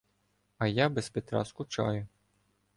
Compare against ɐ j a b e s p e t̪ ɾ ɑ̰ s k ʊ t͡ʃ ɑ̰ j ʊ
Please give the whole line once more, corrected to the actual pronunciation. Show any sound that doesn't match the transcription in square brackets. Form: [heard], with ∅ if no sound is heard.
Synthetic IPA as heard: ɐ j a b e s p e t̪ ɾ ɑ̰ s k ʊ t͡ʃ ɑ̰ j ʊ